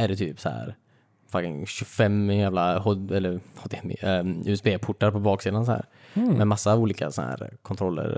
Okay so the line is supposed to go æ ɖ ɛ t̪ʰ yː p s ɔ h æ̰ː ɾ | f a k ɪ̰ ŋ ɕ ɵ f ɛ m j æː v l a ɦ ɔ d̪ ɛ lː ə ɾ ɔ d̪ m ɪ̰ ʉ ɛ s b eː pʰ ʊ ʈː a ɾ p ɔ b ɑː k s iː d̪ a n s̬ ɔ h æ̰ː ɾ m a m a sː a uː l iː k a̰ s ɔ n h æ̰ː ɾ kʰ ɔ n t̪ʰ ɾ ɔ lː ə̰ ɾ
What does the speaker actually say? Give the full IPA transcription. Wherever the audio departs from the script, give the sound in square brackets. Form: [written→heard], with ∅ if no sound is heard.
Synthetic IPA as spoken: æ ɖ ɛ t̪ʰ yː p s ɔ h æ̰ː ɾ | f a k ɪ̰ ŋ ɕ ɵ f ɛ m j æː v l a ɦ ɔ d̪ ɛ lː ə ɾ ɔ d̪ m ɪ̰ ʉ ɛ s b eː pʰ ʊ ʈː a ɾ p ɔ b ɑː k s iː d̪ a n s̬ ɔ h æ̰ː ɾ m [a→ɛ] m a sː a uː l iː k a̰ s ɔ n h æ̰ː ɾ kʰ ɔ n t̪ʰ ɾ ɔ lː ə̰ ɾ